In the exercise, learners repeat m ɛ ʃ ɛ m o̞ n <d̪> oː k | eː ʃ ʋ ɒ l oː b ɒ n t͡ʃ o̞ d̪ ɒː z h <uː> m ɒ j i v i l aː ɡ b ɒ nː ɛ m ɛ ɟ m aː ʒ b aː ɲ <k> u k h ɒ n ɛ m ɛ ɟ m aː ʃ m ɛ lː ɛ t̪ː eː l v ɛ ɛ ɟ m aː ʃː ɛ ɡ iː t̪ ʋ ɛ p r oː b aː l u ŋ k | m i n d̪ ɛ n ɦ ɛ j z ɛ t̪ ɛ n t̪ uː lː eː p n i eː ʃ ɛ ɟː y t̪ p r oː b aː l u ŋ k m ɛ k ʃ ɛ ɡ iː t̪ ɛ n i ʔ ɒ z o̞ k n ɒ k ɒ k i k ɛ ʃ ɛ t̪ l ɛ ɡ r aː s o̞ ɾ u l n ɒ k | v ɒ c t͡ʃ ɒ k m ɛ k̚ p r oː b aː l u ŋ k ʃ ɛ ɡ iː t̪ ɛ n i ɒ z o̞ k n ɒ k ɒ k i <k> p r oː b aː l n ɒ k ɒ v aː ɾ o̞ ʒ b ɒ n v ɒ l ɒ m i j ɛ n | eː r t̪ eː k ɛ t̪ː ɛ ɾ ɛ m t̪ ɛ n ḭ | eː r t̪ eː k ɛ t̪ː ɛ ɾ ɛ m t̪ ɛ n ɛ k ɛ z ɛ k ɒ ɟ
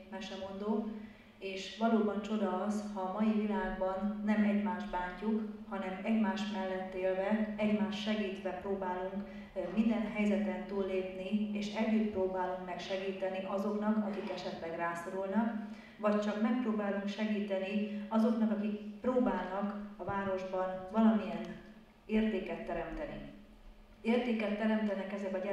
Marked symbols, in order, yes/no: yes, no, no, yes

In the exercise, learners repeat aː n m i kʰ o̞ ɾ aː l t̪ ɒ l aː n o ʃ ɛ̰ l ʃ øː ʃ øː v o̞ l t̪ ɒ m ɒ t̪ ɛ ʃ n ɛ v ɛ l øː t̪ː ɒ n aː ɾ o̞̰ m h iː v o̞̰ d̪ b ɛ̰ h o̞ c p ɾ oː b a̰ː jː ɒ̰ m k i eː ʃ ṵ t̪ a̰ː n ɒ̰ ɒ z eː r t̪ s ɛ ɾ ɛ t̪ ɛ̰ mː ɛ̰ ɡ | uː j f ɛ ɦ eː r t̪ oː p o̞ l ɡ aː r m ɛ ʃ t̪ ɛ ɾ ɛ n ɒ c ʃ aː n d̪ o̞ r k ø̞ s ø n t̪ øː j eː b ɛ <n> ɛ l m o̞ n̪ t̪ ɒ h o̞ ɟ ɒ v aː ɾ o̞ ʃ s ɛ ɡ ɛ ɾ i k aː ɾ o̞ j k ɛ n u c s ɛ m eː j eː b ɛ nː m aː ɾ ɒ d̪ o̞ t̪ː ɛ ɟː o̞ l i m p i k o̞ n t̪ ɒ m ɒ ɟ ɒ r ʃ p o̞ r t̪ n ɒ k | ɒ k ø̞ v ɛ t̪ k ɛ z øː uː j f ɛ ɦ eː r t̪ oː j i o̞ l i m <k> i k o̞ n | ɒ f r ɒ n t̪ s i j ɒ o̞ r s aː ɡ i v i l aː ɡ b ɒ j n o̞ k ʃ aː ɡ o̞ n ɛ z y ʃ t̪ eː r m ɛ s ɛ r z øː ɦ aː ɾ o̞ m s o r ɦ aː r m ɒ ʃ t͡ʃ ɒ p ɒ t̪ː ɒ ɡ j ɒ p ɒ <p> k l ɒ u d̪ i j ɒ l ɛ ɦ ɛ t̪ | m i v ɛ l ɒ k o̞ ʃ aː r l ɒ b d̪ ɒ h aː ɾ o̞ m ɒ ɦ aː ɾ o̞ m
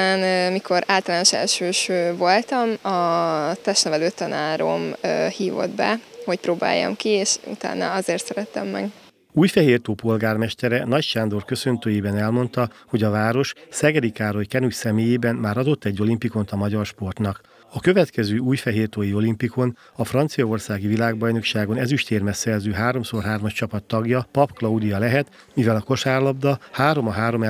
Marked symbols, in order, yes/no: yes, no, yes

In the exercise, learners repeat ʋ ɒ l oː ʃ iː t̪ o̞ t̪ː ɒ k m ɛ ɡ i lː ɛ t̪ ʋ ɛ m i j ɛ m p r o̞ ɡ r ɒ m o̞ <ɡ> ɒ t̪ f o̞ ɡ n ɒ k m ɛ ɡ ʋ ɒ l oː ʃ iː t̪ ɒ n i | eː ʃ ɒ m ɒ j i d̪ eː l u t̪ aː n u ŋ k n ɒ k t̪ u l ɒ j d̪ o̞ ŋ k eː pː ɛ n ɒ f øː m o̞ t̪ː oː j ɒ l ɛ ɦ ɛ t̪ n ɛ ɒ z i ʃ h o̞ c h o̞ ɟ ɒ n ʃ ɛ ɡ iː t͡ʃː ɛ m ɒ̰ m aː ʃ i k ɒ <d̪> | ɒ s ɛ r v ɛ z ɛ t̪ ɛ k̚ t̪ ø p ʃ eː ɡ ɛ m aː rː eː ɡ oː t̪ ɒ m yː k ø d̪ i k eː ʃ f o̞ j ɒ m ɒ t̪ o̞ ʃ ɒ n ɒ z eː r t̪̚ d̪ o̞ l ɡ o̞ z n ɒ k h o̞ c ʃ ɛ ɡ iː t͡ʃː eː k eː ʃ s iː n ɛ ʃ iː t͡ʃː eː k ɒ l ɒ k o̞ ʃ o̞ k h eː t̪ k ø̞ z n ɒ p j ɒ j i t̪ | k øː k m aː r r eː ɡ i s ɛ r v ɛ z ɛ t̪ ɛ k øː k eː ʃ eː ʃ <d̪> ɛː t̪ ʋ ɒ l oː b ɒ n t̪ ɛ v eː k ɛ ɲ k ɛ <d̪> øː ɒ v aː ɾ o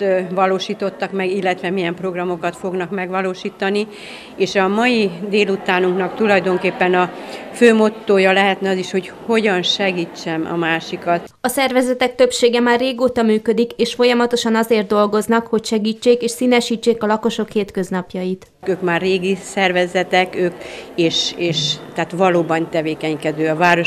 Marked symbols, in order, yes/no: no, no, no, yes

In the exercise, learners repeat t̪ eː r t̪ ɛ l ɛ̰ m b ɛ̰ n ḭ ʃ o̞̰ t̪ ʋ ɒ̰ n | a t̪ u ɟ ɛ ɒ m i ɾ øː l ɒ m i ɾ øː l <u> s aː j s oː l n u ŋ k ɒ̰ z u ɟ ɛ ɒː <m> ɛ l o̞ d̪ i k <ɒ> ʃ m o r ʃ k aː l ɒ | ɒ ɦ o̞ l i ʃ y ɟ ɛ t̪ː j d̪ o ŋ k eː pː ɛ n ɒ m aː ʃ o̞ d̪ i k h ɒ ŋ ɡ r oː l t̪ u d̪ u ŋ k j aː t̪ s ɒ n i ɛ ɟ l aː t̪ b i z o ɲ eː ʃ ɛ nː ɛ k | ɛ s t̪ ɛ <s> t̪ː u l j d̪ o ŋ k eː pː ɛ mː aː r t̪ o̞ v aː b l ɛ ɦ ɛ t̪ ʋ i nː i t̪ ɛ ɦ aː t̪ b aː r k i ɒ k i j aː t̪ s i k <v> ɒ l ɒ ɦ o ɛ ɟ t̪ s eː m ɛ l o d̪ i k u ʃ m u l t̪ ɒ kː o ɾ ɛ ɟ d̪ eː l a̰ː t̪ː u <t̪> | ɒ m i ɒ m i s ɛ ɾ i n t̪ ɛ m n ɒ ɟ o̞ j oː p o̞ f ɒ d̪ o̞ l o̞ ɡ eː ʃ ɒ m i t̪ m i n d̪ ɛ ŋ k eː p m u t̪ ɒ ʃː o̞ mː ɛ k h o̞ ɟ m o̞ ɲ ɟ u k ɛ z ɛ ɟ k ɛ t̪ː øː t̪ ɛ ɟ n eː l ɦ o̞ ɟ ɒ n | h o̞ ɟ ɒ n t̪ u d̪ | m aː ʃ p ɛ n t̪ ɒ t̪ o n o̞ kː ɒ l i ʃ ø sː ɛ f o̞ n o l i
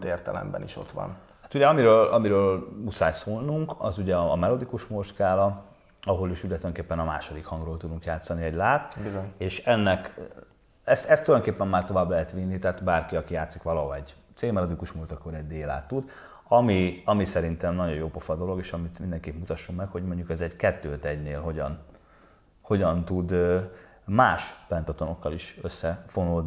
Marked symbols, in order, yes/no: yes, yes, no, yes, no, no

